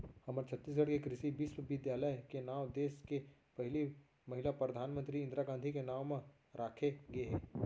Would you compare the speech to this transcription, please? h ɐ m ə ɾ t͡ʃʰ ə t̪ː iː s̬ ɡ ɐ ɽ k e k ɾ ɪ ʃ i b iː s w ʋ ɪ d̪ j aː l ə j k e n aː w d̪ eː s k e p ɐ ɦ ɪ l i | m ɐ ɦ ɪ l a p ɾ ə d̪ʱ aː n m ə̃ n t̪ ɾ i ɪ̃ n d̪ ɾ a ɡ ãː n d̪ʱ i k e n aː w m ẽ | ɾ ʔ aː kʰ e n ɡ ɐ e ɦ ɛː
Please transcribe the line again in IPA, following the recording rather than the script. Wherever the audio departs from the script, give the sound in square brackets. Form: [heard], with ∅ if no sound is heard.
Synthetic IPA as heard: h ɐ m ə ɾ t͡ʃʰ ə t̪ː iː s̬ ɡ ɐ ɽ k e k ɾ ɪ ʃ i b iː s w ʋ ɪ d̪ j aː l ə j k e n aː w d̪ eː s k e p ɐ ɦ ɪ l i | m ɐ ɦ ɪ l a p ɾ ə d̪ʱ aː n m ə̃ n t̪ ɾ i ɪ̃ n d̪ ɾ a ɡ ãː n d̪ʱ i k e n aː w m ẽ | ɾ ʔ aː kʰ e [∅] ɡ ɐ e ɦ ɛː